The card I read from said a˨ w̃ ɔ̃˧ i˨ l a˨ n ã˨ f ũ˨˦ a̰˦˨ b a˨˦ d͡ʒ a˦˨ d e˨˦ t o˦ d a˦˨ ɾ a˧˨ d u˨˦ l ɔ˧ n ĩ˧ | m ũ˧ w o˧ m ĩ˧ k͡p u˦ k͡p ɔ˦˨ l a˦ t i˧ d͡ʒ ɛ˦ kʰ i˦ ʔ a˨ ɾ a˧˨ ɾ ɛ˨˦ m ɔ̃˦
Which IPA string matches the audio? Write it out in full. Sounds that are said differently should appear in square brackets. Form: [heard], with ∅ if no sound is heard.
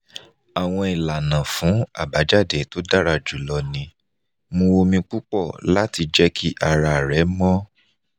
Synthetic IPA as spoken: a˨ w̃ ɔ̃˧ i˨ l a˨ n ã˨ f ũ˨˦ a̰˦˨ b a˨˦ d͡ʒ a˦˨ d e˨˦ t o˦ d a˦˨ ɾ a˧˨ [d͡ʒ] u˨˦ l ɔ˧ n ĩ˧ | m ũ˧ w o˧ m ĩ˧ k͡p u˦ k͡p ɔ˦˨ l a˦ t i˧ d͡ʒ ɛ˦ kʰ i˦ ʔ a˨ ɾ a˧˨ ɾ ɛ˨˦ m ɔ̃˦